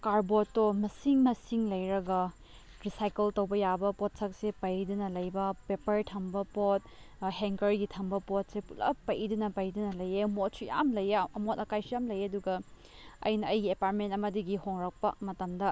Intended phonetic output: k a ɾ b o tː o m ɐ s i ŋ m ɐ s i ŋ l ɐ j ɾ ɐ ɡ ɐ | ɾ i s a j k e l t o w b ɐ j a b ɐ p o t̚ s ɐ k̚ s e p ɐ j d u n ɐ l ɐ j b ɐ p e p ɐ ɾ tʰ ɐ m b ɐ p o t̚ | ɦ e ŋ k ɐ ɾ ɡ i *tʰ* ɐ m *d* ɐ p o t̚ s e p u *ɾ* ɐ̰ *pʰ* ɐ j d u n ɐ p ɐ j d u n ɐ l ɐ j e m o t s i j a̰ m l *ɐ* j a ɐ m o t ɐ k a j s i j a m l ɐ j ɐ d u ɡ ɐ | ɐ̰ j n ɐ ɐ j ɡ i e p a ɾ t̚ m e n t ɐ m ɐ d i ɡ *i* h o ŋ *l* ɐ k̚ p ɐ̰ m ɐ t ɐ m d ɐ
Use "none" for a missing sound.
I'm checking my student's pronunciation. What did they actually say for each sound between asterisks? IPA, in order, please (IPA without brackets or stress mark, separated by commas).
tʰ, b, l, p, ɐ, i, ɾ